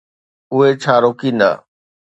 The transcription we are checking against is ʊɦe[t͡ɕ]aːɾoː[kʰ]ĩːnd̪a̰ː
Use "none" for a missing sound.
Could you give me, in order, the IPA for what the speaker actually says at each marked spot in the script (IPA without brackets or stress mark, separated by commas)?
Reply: t͡ɕʰ, k